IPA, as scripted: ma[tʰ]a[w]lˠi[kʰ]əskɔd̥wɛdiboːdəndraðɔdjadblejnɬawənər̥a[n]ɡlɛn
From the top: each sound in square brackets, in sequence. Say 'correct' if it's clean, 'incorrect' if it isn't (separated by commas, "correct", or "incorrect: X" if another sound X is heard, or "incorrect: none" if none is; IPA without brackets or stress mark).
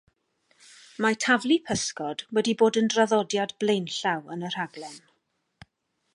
correct, incorrect: v, incorrect: pʰ, incorrect: none